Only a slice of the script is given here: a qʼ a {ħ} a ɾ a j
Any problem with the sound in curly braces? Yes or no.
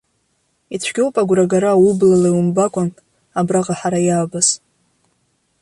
no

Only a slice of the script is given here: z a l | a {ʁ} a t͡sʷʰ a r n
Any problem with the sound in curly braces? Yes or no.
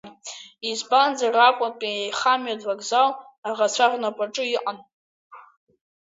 no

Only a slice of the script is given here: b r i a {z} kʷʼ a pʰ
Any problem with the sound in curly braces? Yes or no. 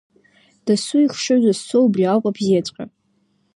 yes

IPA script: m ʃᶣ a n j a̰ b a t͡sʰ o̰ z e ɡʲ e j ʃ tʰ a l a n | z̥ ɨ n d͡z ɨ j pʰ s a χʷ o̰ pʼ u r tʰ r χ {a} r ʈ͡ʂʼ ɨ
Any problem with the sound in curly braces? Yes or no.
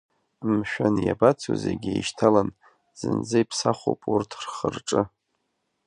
yes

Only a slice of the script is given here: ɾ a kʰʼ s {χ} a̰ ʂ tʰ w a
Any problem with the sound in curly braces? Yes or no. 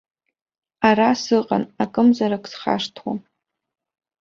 no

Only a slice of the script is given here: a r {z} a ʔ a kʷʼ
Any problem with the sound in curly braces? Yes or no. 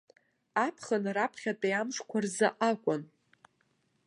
no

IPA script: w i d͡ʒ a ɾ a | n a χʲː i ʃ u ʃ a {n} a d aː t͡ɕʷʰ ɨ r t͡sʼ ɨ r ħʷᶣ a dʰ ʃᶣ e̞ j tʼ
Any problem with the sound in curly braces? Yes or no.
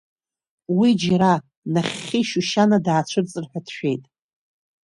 no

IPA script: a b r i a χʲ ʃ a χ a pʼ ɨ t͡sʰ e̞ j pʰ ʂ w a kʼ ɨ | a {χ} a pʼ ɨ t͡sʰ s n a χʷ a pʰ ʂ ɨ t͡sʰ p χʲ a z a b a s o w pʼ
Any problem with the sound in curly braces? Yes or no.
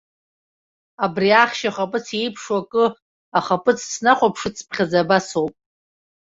no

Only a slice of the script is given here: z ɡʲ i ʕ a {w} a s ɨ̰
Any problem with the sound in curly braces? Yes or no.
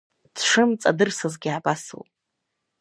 yes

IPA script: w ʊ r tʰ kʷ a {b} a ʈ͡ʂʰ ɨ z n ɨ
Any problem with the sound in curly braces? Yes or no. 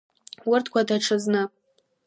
yes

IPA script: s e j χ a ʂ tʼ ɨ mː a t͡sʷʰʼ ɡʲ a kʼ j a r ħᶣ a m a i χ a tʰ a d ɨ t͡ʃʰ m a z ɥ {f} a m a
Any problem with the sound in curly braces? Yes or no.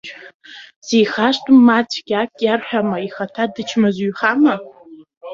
yes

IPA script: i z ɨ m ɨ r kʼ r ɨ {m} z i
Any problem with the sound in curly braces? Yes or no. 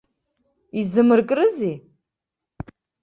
yes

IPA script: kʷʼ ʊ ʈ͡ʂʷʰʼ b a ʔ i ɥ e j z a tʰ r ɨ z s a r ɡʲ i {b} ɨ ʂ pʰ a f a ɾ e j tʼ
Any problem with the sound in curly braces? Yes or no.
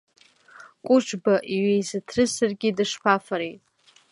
yes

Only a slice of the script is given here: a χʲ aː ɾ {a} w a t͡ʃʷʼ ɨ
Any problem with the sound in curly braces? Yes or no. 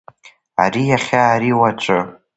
yes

